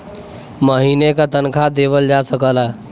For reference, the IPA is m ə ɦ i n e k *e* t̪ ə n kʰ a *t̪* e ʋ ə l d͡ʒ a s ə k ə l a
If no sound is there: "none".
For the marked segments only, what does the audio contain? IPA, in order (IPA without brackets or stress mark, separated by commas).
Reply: a, d̪